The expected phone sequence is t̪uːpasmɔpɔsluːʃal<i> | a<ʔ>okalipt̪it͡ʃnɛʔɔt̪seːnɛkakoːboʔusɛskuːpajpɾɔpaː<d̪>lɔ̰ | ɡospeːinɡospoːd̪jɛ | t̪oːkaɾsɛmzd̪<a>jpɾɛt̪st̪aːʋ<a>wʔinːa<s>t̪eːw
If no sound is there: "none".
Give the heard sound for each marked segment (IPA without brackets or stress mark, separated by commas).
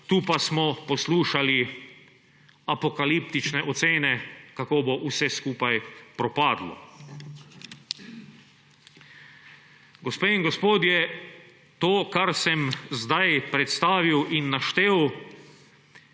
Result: i, p, d̪, a, i, ʃ